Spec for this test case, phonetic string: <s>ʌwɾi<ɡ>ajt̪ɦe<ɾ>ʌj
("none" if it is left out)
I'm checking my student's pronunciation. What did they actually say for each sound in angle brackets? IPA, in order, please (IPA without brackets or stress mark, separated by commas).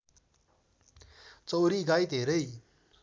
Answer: t͡s, ɡ, ɾ